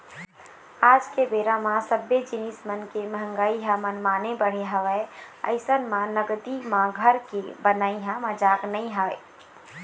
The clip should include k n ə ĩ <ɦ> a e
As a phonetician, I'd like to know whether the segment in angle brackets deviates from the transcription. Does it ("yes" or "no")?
no